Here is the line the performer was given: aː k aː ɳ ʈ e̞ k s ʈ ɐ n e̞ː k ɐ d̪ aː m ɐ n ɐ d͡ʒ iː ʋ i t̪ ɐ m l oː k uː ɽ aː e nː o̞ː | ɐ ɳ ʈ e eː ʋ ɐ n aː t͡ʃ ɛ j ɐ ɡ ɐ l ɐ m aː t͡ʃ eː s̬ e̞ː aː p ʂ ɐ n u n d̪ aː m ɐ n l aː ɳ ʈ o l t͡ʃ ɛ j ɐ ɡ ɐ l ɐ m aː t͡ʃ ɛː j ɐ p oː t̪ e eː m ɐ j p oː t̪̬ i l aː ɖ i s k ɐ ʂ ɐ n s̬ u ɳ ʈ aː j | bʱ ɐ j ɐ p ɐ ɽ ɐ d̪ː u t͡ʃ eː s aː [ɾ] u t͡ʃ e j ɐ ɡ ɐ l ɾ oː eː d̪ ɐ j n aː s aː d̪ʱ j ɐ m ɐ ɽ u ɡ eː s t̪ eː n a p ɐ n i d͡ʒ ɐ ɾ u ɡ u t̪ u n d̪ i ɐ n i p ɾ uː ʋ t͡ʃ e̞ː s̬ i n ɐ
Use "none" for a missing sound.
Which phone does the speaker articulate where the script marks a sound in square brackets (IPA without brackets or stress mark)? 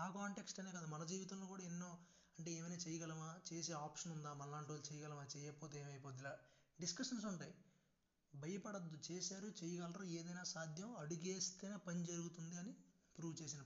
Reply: ɾ